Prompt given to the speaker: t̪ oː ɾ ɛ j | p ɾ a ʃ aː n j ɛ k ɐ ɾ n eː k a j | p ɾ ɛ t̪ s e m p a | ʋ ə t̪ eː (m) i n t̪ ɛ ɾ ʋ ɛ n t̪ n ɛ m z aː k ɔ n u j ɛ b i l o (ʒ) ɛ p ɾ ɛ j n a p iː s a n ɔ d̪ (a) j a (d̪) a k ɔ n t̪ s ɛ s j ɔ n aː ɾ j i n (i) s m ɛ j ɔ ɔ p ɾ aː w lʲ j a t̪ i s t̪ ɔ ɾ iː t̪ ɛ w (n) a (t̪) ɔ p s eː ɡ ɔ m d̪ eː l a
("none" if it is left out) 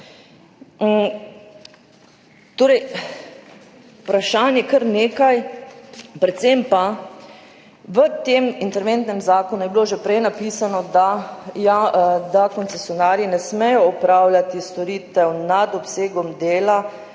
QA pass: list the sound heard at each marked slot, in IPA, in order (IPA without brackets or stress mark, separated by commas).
m, ʒ, a, d̪, ɛ, n, d̪